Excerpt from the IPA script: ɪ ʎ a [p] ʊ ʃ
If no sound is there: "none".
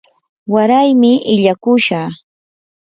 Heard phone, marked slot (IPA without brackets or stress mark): k